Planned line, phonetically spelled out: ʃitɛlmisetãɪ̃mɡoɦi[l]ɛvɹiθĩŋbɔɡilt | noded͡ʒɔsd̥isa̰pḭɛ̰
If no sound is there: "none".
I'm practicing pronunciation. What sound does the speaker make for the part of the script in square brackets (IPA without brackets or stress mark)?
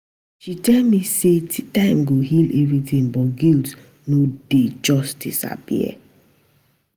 l